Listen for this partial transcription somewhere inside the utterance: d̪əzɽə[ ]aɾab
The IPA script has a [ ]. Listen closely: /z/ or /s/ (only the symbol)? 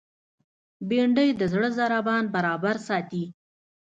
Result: z